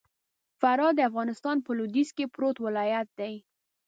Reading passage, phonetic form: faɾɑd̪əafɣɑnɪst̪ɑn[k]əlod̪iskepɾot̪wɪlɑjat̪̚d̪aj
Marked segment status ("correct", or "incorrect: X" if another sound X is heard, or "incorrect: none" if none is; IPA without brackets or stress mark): incorrect: p